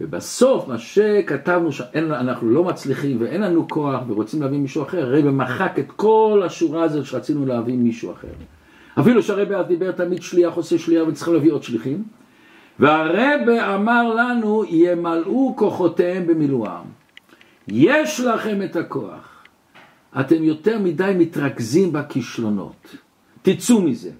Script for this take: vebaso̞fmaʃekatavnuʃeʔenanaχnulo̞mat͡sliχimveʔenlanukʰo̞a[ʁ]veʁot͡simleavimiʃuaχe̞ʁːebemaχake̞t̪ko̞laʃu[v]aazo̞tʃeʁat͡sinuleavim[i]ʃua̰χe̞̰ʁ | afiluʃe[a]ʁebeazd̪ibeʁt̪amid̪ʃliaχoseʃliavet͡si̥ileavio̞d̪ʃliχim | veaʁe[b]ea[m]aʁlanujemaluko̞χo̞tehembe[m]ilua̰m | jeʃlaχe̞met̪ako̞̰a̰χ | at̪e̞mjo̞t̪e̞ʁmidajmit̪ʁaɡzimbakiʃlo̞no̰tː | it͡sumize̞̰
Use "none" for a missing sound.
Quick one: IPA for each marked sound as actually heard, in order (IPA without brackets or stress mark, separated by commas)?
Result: χ, ʁ, i, a, b, m, m